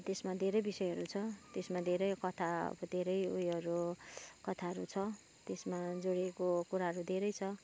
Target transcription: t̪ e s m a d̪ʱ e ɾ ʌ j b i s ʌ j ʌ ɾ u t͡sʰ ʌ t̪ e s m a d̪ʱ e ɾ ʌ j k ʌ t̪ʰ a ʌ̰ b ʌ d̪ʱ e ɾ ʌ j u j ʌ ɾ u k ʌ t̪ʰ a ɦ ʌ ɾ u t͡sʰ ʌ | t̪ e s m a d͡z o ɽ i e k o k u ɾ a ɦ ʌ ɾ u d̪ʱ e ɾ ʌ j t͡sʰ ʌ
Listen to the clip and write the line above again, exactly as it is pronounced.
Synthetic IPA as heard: t̪ e s m a d̪ʱ e ɾ ʌ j b i s ʌ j ʌ ɾ u t͡sʰ ʌ t̪ e s m a d̪ʱ e ɾ ʌ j k ʌ t̪ʰ a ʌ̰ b ʌ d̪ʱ e ɾ ʌ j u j ʌ ɾ u k ʌ t̪ʰ a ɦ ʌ ɾ u t͡sʰ ʌ | t̪ e s m a d͡z o ɽ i e k o k u ɾ a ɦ ʌ ɾ u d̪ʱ e ɾ ʌ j t͡sʰ ʌ